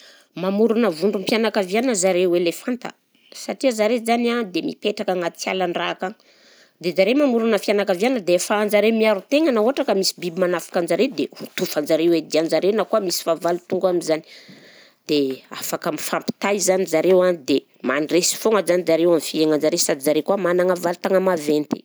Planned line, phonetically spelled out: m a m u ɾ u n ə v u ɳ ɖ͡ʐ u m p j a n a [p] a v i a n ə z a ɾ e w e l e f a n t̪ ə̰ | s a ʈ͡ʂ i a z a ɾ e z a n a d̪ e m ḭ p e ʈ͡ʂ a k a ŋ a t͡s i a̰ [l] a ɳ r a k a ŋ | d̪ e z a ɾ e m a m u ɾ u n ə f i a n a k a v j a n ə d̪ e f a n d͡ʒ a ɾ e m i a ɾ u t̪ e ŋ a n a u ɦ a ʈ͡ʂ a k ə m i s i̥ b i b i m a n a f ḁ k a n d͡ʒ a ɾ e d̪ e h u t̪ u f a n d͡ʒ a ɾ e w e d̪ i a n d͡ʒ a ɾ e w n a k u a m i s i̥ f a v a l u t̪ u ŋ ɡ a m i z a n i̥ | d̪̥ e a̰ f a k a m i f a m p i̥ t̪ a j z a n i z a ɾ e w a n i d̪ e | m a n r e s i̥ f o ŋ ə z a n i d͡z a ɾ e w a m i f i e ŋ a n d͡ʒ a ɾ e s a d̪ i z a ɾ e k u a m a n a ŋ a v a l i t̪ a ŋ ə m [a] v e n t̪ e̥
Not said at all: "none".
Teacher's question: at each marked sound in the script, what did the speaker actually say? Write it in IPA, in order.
k, l, a

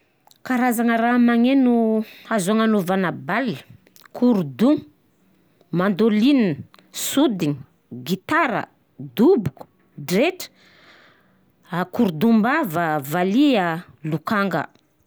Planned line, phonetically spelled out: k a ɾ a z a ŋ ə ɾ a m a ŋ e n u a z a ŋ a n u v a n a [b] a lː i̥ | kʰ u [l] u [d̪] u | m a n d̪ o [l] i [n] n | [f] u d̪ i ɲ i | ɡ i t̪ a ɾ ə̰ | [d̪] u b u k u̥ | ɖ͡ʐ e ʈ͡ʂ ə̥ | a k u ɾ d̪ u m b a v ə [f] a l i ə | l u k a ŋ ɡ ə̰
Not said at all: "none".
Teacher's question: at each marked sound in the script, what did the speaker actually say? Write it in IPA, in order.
b, ɾ, d̪, l, n, s, d̪, v

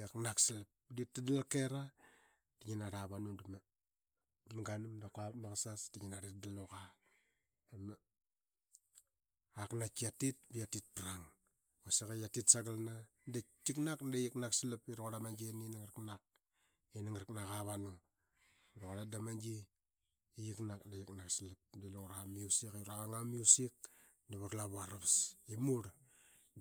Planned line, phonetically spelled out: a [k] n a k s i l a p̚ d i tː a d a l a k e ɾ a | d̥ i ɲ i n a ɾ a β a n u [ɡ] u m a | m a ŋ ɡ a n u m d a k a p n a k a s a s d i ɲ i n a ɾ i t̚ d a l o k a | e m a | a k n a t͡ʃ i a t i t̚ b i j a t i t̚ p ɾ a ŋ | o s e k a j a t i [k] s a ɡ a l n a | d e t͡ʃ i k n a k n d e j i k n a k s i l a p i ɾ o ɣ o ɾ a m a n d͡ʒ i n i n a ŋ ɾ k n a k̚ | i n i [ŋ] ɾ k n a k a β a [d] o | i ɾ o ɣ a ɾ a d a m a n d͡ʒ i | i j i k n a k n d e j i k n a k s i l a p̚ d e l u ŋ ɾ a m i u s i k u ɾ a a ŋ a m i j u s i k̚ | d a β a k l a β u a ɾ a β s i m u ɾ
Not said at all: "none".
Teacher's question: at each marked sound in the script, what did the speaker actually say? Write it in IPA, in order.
k, d, t, ŋ, n

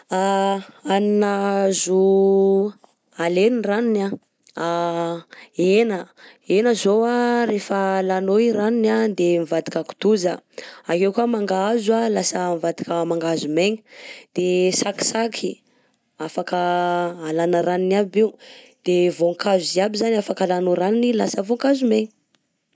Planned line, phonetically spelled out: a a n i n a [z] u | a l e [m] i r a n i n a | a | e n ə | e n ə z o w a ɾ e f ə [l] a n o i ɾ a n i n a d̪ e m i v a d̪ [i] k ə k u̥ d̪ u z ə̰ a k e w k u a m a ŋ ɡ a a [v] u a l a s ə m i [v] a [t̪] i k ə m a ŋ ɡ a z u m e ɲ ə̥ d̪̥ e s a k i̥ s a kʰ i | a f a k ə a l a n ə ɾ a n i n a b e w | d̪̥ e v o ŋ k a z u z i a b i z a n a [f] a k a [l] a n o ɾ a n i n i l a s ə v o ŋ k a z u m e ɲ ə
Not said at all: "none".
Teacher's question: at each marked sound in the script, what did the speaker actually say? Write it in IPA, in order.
z, n, l, i, z, v, d̪, f, l

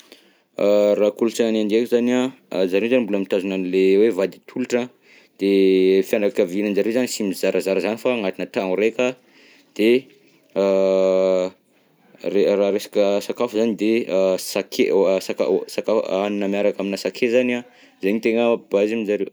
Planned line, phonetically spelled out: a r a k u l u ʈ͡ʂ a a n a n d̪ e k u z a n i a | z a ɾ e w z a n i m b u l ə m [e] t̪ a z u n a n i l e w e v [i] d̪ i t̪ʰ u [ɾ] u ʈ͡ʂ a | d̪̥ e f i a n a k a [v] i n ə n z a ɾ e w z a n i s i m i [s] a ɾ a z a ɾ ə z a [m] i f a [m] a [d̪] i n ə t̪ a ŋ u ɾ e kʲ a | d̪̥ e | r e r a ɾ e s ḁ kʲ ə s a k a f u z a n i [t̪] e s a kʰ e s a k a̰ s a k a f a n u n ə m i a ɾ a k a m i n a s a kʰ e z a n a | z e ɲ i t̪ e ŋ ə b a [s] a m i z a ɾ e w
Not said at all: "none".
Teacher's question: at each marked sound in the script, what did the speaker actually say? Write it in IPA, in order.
i, a, l, v, z, n, ŋ, t̪, d̪, z

